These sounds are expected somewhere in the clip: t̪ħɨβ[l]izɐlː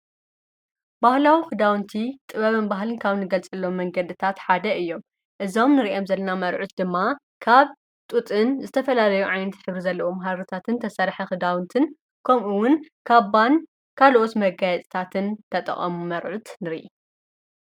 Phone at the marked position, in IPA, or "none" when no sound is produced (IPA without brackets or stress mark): ɾ